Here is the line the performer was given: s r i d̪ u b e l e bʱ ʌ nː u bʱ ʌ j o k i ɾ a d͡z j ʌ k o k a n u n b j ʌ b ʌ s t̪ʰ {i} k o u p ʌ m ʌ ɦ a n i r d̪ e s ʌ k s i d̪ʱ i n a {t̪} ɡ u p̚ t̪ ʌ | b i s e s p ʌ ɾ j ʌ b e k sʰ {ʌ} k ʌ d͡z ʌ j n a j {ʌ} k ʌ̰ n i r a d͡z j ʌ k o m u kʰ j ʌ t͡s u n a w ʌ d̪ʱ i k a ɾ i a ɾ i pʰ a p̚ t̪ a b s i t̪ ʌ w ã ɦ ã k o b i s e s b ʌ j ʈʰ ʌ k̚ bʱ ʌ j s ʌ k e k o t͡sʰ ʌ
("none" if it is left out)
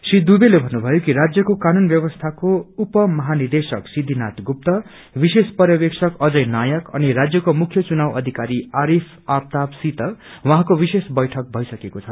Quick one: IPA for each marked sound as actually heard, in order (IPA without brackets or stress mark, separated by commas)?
a, t̪, ʌ, ʌ